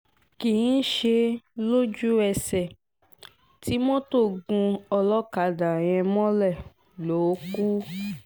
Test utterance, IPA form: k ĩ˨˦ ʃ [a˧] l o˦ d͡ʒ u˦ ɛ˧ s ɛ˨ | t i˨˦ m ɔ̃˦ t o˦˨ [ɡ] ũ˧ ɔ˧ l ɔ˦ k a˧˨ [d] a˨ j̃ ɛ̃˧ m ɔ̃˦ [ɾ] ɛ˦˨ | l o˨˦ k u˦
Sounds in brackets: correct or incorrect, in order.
incorrect: e˧, correct, correct, incorrect: l

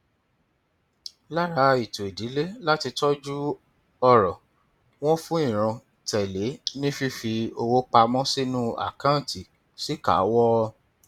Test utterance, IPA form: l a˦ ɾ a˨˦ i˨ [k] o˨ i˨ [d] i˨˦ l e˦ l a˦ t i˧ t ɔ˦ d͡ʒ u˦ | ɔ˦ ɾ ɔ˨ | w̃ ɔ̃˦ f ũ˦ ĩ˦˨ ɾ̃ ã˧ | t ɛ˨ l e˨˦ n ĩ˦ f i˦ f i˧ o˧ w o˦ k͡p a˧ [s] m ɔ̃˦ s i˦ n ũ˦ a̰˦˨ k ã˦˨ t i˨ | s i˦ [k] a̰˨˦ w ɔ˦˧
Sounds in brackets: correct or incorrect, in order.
incorrect: t, correct, incorrect: none, correct

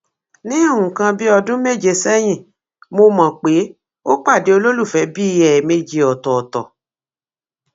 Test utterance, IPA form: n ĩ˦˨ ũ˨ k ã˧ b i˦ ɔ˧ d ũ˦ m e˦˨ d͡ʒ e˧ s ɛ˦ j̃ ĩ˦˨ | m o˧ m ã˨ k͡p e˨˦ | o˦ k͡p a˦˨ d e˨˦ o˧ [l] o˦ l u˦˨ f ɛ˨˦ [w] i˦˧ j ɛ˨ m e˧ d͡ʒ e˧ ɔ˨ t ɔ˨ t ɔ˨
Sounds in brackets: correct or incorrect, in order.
correct, incorrect: b

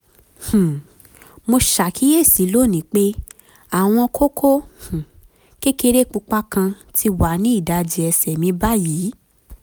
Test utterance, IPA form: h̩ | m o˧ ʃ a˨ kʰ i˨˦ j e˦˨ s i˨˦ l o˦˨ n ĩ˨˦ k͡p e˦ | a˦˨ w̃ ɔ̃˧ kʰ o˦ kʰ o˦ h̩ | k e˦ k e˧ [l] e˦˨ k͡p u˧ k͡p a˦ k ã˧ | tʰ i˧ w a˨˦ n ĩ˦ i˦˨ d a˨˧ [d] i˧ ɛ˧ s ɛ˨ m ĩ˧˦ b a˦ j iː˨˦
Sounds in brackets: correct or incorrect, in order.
incorrect: ɾ, incorrect: d͡ʒ

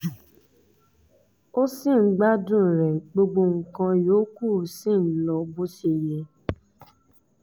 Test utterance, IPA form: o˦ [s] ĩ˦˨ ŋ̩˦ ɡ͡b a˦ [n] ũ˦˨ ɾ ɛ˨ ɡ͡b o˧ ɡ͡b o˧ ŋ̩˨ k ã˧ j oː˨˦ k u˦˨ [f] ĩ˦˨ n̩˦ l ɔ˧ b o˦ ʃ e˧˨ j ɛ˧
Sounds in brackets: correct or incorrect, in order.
correct, incorrect: d, incorrect: s

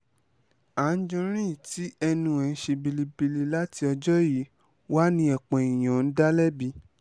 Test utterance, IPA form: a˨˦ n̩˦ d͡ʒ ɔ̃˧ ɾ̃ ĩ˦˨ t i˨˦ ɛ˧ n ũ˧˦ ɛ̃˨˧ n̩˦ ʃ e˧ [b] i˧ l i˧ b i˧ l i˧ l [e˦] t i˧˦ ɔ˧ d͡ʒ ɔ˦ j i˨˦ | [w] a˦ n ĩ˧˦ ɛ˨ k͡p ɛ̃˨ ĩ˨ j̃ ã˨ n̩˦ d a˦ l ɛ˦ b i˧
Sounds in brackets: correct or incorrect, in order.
correct, incorrect: a˦, correct

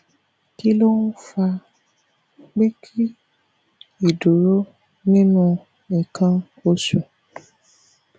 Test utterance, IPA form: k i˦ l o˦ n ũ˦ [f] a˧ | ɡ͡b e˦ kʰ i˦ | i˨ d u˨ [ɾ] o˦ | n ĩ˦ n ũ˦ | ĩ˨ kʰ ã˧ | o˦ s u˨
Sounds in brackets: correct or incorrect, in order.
correct, correct

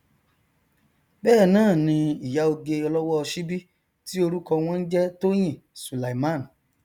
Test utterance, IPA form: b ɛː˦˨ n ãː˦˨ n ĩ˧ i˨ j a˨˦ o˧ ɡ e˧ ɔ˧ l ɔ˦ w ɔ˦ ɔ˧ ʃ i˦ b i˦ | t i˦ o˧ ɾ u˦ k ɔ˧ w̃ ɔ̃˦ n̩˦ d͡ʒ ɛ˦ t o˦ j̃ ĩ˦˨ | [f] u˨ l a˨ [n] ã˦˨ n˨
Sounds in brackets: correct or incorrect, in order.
incorrect: s, incorrect: m

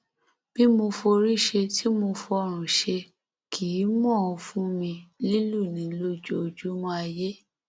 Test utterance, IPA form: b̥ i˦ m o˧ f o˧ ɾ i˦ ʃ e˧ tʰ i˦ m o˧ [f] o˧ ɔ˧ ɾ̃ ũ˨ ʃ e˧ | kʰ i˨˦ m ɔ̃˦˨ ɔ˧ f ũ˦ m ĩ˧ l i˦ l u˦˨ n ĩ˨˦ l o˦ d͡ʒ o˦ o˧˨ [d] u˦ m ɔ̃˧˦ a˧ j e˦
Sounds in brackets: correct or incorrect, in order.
correct, incorrect: d͡ʒ

